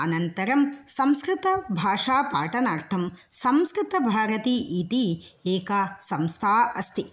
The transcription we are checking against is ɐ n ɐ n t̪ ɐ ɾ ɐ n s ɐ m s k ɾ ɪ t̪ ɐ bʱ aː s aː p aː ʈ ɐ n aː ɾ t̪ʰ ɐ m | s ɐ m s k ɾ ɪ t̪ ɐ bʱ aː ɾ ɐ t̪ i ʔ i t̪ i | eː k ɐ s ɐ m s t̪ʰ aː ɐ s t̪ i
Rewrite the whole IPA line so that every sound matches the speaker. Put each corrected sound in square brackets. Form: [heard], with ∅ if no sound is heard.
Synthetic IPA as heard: ɐ n ɐ n t̪ ɐ ɾ ɐ [m] s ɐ m s k ɾ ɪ t̪ ɐ bʱ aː [ʂ] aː p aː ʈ ɐ n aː ɾ t̪ʰ ɐ m | s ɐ m s k ɾ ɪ t̪ ɐ bʱ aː ɾ ɐ t̪ i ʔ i t̪ i | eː k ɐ s ɐ m s t̪ʰ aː ɐ s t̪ i